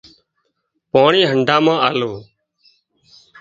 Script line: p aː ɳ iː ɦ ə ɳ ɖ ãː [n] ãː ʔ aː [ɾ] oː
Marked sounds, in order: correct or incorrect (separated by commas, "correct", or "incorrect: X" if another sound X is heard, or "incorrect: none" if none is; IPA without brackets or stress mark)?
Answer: incorrect: m, incorrect: l